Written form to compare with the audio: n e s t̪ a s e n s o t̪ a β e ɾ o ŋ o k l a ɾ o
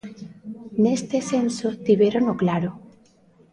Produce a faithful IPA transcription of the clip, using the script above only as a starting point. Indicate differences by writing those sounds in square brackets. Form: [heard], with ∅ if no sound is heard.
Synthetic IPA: n e s t̪ [e] s e n s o t̪ [i] β e ɾ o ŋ o k l a ɾ o